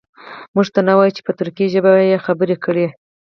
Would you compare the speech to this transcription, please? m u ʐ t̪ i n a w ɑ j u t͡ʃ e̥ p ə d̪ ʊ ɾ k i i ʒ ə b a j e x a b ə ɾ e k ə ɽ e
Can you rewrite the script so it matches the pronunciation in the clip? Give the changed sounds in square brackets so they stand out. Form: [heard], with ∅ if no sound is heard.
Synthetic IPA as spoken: m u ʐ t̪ [a] n a w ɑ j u t͡ʃ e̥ p ə [t̪] ʊ ɾ k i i ʒ ə b a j e x a b ə ɾ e k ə ɽ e